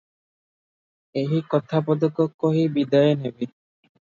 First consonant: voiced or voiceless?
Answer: voiced